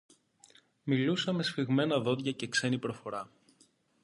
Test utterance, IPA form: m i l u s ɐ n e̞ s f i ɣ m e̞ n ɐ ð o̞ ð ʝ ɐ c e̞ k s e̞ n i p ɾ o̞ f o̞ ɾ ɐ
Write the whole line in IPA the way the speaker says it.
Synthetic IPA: m i l u s ɐ m e̞ s f i ɣ m e̞ n ɐ ð o̞ ð ʝ ɐ c e̞ k s e̞ n i p ɾ o̞ f o̞ ɾ ɐ